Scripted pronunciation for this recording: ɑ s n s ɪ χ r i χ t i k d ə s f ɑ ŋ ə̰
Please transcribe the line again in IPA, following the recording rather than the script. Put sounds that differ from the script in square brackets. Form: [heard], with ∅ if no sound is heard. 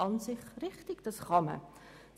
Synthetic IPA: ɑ [∅] n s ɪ χ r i χ t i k d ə s [χ] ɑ [m] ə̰